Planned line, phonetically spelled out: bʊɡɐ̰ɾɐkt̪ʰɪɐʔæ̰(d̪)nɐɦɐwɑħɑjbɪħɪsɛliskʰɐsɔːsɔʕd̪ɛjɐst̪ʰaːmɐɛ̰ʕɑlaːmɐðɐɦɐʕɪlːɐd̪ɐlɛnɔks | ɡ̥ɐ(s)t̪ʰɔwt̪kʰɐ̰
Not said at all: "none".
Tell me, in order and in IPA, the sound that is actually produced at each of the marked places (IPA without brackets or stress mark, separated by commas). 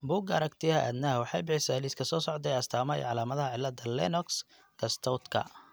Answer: d̪, s